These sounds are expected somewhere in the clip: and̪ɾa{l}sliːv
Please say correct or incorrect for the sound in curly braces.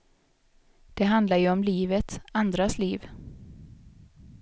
incorrect